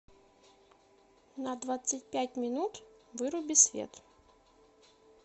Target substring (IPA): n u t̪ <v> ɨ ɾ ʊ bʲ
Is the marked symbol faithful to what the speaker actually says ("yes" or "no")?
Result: yes